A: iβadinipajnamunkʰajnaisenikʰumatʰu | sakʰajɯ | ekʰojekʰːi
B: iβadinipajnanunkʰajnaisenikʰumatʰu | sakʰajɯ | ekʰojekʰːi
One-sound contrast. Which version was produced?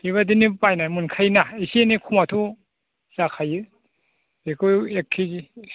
A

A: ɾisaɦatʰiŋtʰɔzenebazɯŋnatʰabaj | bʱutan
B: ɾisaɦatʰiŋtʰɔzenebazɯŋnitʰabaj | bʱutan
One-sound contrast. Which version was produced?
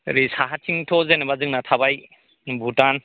A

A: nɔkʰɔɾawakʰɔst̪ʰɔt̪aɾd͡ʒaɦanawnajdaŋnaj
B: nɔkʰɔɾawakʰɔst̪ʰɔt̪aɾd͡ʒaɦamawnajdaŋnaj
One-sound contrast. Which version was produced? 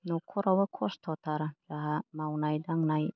B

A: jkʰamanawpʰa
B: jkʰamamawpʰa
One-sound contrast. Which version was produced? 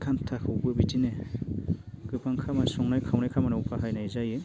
A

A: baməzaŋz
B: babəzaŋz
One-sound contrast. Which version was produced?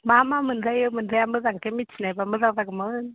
A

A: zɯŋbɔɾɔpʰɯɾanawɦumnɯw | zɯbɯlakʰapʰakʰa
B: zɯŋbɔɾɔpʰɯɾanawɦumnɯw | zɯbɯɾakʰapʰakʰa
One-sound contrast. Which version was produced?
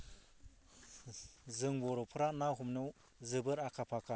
B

